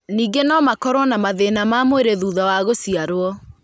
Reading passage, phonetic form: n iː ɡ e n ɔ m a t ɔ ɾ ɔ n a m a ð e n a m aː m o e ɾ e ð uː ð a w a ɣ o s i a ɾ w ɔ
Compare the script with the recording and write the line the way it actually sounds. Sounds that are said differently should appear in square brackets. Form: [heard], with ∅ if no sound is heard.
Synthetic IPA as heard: n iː ɡ e n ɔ m a [k] ɔ ɾ ɔ n a m a ð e n a m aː m o e ɾ e ð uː ð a w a ɣ o s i a ɾ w ɔ